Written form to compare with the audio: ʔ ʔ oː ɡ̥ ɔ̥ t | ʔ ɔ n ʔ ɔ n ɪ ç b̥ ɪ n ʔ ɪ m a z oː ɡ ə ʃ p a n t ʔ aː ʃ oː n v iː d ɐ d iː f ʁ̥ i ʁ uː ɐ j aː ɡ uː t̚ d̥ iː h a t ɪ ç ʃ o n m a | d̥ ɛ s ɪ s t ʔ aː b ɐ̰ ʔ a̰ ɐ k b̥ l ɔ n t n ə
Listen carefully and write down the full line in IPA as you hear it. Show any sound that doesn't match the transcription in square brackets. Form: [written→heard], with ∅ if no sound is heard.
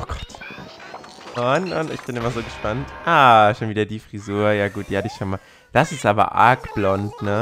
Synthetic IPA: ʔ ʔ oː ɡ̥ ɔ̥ t | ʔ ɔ n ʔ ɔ n ɪ ç b̥ ɪ n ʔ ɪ m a z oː ɡ ə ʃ p a n t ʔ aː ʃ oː n v iː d ɐ d iː f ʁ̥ i [ʁ→z] uː ɐ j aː ɡ uː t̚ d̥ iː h a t ɪ ç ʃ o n m a | d̥ [ɛ→a] s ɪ s t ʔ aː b ɐ̰ ʔ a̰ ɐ k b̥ l ɔ n t n ə